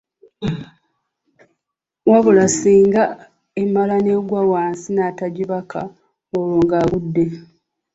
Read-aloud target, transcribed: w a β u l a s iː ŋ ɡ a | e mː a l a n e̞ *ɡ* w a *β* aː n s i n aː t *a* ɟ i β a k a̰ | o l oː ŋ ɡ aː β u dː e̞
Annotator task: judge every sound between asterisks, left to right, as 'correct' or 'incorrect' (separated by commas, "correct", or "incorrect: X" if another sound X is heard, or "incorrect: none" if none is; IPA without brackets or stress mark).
correct, incorrect: w, correct